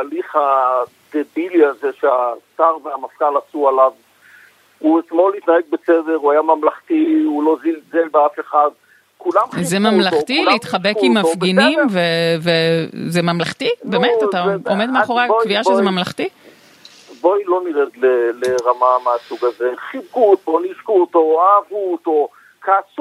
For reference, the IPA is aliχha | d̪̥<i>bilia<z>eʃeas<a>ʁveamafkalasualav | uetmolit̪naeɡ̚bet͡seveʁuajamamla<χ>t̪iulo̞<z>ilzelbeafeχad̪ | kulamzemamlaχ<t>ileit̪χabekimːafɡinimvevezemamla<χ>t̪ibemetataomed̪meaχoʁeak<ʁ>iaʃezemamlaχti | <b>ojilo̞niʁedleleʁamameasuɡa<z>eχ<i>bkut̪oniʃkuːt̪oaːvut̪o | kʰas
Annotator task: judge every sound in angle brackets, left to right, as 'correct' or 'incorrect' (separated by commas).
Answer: incorrect, correct, correct, correct, correct, correct, correct, incorrect, correct, correct, correct